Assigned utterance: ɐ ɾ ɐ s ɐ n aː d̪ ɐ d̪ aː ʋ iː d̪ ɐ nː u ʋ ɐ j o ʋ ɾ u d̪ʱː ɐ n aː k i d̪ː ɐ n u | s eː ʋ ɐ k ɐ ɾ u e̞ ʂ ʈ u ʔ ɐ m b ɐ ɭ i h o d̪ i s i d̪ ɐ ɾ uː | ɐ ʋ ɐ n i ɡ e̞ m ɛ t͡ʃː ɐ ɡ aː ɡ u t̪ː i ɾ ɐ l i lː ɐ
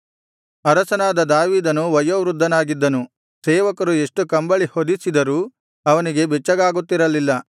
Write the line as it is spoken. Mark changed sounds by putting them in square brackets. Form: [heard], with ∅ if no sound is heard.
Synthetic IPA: ɐ ɾ ɐ s ɐ n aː d̪ ɐ d̪ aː ʋ iː d̪ ɐ [n] u ʋ ɐ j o ʋ ɾ u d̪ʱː ɐ n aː [ɡ] i d̪ː ɐ n u | s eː ʋ ɐ k ɐ ɾ u e̞ ʂ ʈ u [k] ɐ m b ɐ ɭ i h o d̪ i s i d̪ ɐ ɾ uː | ɐ ʋ ɐ n i ɡ e̞ [b] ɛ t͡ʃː ɐ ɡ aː ɡ u t̪ː i ɾ ɐ l i lː ɐ